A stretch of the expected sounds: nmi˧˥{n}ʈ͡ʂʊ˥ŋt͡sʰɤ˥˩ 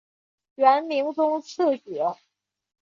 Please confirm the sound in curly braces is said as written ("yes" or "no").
no